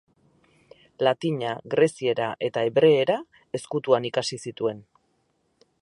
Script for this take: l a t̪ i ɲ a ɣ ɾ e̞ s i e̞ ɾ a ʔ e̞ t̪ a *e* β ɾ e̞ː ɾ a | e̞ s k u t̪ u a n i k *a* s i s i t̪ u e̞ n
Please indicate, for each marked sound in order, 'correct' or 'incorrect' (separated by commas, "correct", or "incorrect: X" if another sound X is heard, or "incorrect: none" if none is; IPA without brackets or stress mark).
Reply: correct, correct